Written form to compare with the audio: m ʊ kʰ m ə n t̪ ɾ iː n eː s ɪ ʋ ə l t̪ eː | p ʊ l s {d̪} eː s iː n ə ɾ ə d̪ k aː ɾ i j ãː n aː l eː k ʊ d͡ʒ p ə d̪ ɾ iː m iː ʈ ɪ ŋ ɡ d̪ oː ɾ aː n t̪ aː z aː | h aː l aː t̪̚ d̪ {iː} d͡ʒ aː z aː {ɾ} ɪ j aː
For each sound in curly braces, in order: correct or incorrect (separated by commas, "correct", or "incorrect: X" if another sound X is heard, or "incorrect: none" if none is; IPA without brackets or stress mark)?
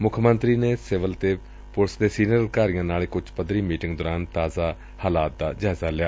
correct, incorrect: aː, incorrect: l